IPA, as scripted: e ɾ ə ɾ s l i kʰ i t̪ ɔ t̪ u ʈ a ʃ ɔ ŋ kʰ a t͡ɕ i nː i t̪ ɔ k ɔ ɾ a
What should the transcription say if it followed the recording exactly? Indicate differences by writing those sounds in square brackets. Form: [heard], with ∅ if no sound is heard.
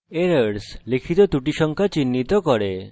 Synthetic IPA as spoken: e ɾ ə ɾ s l i kʰ i t̪ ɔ t̪ u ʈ [i] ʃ ɔ ŋ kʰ a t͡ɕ i nː i t̪ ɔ k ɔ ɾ [e]